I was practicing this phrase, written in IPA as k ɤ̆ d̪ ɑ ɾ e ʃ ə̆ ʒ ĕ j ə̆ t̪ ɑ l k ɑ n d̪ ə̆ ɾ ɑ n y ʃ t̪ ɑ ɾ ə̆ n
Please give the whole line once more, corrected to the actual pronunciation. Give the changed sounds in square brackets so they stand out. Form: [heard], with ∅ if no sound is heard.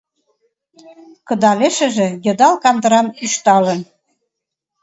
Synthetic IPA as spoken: k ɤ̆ d̪ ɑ [l] e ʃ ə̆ ʒ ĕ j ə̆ [d̪] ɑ l k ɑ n d̪ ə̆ ɾ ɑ n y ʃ t̪ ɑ [l] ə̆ n